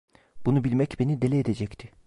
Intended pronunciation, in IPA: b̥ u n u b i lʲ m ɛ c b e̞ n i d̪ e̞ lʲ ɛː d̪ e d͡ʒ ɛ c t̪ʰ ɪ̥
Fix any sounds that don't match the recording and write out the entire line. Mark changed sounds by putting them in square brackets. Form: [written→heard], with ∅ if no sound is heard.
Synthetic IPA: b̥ u n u b i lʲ m ɛ c b e̞ n i d̪ e̞ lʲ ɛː d̪ e d͡ʒ ɛ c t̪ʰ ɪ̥